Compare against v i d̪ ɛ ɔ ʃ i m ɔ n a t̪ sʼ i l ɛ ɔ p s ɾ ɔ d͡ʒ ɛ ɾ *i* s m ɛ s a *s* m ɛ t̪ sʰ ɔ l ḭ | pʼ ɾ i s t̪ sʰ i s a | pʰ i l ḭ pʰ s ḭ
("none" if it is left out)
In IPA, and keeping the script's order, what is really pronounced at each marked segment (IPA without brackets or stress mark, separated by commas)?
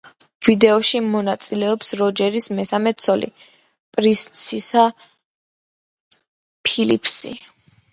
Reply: i, none